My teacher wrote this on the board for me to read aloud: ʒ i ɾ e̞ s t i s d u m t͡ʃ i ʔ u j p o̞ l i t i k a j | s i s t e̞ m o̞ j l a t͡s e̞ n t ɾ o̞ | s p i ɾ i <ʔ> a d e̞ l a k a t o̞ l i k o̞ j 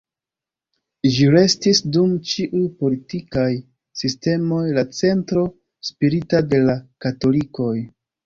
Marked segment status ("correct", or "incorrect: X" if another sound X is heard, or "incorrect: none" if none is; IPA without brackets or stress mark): incorrect: t